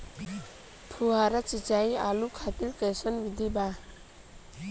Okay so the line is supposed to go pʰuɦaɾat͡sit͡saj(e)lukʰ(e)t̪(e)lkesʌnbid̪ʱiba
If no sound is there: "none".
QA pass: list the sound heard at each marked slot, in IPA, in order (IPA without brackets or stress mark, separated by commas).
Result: a, a, i